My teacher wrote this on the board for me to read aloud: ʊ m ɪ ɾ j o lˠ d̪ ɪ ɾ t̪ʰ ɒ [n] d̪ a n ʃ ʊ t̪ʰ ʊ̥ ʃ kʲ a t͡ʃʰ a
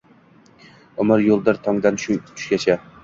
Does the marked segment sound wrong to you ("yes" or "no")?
yes